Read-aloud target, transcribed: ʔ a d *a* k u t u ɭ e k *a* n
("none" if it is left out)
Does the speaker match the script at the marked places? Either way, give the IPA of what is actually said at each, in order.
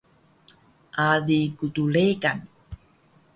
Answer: i, a

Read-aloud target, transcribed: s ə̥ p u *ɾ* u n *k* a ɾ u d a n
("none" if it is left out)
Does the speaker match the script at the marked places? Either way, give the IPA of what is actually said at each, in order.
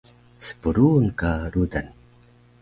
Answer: ɾ, k

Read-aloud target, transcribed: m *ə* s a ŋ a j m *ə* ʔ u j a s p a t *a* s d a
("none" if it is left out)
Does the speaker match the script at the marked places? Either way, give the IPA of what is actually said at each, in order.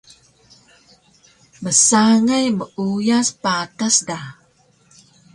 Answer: ə, ə, a

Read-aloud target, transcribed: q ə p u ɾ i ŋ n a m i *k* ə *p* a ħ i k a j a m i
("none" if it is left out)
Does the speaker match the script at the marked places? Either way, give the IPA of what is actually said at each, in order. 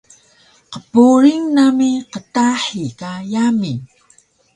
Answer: q, t

